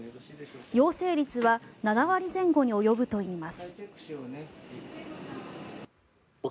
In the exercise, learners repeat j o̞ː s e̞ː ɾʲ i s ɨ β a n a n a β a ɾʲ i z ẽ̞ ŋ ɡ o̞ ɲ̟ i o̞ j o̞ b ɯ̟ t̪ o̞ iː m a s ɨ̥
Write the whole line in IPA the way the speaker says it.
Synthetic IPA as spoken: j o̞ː s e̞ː ɾʲ i t͡s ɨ β a n a n a β a ɾʲ i z ẽ̞ ŋ ɡ o̞ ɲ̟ i o̞ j o̞ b ɯ̟ t̪ o̞ iː m a s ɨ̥